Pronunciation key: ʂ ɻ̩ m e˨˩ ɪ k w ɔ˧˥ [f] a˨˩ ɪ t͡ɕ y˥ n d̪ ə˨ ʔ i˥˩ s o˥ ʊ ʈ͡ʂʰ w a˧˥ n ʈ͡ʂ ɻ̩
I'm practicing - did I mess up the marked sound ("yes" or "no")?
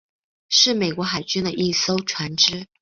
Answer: yes